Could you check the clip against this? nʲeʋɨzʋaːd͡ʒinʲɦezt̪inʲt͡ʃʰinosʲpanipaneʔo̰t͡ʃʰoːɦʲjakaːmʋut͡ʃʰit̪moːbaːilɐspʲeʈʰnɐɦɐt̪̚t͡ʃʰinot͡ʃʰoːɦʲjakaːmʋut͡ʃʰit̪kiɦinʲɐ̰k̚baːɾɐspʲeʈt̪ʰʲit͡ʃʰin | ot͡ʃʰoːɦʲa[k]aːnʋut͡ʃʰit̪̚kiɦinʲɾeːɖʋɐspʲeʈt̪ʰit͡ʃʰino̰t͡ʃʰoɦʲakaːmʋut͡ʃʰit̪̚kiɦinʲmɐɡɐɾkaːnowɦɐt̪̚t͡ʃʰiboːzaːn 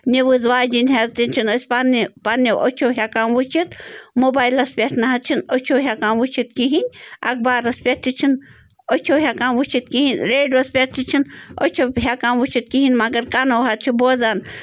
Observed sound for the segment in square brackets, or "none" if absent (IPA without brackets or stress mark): k